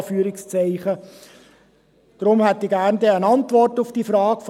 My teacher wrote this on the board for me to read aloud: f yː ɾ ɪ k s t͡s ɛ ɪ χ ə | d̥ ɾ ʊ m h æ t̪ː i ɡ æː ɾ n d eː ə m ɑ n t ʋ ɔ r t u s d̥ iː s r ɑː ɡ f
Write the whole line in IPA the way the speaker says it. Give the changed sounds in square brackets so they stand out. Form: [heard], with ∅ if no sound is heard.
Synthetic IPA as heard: f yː ɾ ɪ k s t͡s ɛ ɪ χ ə | d̥ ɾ ʊ m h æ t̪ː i ɡ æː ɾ n d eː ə [n] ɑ n t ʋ ɔ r t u [f] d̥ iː [f] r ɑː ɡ f